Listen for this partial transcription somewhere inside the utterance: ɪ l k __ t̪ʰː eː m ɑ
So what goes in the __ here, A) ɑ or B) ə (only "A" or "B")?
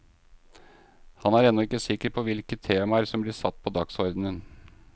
B